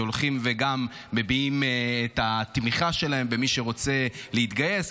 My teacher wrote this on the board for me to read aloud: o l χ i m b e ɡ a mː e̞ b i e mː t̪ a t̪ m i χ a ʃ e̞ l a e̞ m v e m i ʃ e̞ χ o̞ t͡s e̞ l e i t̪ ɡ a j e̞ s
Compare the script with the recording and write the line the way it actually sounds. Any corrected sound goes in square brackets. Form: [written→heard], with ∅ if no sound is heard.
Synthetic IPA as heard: o l χ i m [b→v] e ɡ a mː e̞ b i [e→i] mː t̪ a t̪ m i χ a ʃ e̞ l a e̞ m [v→b] e m i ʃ e̞ [χ→ʁ] o̞ t͡s e̞ l e i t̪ ɡ a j e̞ s

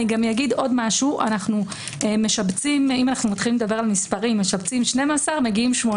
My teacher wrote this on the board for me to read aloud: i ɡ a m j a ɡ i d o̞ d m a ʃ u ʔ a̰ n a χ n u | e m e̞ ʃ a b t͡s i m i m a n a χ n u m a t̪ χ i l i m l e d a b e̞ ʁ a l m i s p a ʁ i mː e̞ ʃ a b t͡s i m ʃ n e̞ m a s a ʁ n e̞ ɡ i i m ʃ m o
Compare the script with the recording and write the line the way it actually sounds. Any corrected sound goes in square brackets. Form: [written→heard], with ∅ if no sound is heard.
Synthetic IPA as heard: i ɡ a m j a ɡ i d o̞ d m a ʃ u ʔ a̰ n a χ n u | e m e̞ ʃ a b t͡s i m i m a n a χ n u m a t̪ χ i l i m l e d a b e̞ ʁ a l m i s p a ʁ i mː e̞ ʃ a b t͡s i m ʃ n e̞ m a s a ʁ [n→m] e̞ ɡ i i m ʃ m o

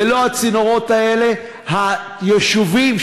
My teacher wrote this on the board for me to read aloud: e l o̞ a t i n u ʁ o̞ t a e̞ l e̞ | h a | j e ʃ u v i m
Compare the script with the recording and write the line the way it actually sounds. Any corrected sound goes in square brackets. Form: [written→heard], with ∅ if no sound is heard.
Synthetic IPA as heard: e l o̞ a [t→t͡s] i n [u→o] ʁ o̞ t a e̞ l e̞ | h a | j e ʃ u v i m

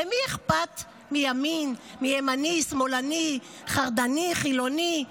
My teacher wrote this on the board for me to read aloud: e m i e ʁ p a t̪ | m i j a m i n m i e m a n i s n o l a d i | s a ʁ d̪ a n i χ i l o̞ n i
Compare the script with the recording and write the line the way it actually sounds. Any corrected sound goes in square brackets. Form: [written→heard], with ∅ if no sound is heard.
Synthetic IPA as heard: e m i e [ʁ→χ] p a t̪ | m i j a m i n m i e m a n i s [n→m] o l a [d→n] i | [s→χ] a ʁ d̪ a n i χ i l o̞ n i

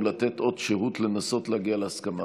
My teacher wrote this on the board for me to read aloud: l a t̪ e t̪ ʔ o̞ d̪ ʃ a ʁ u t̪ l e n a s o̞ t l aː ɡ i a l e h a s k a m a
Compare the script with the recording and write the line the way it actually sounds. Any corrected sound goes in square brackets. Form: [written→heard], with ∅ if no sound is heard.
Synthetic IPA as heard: l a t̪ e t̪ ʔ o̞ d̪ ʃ [a→e] ʁ u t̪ l e n a s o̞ t l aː ɡ i a l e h a s k a m a

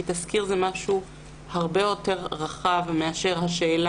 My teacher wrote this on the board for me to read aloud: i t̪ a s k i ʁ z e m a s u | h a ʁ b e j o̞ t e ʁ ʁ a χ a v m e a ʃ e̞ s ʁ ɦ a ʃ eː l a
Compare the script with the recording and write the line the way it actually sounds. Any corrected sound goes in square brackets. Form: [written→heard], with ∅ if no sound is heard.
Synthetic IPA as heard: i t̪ a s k i ʁ z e m a [s→ʃ] u | h a ʁ b e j o̞ t e ʁ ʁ a χ a v m e a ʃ e̞ [s→∅] ʁ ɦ a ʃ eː l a

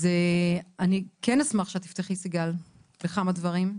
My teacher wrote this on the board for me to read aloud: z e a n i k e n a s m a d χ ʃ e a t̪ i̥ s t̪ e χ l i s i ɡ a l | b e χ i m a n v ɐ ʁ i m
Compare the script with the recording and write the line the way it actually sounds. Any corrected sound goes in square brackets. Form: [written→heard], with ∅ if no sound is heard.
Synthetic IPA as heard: z e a n i k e n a s m a [d→∅] χ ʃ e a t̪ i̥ [s→f] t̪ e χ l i s i ɡ a l | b e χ [i→a] m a [n→d] v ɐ ʁ i m

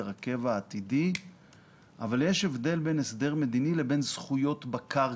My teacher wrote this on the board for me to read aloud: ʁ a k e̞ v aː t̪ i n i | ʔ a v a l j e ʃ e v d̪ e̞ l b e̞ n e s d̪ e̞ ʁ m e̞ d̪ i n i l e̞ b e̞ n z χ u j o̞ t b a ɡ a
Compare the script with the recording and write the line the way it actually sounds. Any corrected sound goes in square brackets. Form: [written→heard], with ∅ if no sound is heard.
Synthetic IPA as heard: ʁ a k e̞ v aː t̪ i [n→d] i | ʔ a v a l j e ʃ e v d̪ e̞ l b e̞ n e s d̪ e̞ ʁ m e̞ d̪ i n i l e̞ b e̞ n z χ u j o̞ t b a [ɡ→k] a

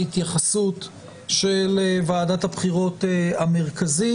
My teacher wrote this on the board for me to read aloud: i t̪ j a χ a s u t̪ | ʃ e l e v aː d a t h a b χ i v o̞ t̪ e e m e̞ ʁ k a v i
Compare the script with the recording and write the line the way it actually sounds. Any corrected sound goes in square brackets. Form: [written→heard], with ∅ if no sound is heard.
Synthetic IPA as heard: i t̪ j a χ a s u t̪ | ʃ e l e v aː d a t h a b χ i [v→ʁ] o̞ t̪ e [e→a] m e̞ ʁ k a [v→z] i

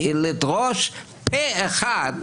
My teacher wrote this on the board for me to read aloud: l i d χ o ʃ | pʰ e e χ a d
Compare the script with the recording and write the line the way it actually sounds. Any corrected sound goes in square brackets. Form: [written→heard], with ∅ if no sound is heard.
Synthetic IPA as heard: l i d [χ→ʁ] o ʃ | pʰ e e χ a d

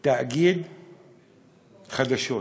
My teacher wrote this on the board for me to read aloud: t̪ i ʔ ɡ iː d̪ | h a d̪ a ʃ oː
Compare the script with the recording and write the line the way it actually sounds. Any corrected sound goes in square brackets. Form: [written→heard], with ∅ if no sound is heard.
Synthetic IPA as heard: t̪ [i→a] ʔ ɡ iː d̪ | [h→x] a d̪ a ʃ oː

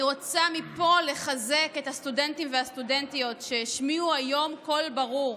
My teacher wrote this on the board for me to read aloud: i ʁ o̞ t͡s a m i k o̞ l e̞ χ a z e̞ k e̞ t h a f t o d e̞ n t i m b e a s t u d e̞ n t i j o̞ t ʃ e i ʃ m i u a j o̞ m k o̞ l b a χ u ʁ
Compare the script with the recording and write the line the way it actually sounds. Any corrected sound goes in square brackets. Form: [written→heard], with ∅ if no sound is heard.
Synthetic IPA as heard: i ʁ o̞ t͡s a m i [k→p] o̞ l e̞ χ a z e̞ k e̞ t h a [f→s] t [o→u] d e̞ n t i m [b→v] e a s t u d e̞ n t i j o̞ t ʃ e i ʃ m i u a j o̞ m k o̞ l b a [χ→ʁ] u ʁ

